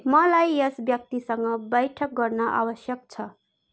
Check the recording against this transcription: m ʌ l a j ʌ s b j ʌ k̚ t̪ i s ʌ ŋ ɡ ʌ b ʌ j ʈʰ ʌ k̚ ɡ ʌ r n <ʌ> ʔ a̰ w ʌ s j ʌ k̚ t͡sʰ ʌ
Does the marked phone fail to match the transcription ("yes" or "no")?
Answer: no